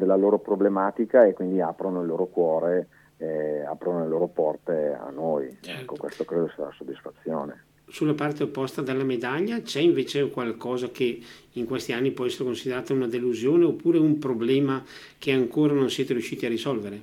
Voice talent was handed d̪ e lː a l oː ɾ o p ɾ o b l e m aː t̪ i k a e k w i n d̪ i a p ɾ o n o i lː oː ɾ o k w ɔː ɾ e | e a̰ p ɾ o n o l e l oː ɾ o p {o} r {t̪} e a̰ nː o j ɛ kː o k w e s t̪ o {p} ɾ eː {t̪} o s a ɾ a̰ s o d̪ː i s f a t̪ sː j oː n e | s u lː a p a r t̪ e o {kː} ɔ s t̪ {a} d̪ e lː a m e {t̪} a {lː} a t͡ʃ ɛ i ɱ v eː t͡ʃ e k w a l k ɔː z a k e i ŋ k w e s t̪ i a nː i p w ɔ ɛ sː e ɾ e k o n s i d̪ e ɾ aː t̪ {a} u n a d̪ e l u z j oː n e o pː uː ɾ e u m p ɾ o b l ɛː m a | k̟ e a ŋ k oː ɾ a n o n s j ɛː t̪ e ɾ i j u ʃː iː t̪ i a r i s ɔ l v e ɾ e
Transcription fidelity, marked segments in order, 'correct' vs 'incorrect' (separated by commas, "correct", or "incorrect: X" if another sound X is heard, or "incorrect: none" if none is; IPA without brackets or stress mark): incorrect: ɔ, correct, incorrect: k, incorrect: d̪, incorrect: pː, correct, incorrect: d̪, incorrect: ʎː, correct